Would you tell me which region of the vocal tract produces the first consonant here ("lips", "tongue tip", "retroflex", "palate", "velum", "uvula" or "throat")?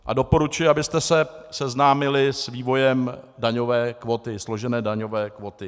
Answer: throat